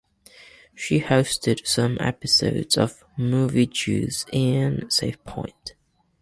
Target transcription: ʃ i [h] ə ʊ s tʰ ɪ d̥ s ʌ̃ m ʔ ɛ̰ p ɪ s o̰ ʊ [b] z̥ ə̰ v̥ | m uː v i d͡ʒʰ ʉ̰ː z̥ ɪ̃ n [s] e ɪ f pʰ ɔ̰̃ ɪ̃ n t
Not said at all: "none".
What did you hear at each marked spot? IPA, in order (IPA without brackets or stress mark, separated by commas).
h, d, s